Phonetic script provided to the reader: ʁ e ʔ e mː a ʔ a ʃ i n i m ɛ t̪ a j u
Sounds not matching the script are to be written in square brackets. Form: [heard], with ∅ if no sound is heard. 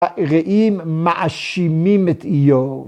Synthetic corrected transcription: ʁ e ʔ [i] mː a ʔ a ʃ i [m] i m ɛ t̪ [i] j [o]